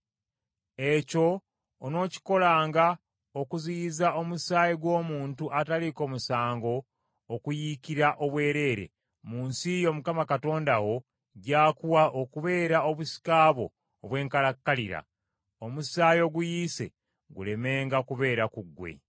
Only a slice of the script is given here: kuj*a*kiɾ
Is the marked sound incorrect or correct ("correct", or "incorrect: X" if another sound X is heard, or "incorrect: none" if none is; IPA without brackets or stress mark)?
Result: incorrect: i